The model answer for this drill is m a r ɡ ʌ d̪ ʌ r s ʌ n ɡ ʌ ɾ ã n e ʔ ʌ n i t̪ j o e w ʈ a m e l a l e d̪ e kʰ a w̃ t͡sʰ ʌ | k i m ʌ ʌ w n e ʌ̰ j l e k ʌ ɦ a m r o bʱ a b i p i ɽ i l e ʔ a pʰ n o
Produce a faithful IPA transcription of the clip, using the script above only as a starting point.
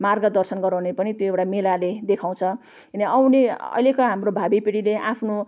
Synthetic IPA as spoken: m a r ɡ ʌ d̪ ʌ r s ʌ n ɡ ʌ ɾ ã n e p ʌ n i t̪ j o e w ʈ a m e l a l e d̪ e kʰ a w̃ t͡sʰ ʌ | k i n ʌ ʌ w n e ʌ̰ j l e k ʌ ɦ a m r o bʱ a b i p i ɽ i l e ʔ a pʰ n o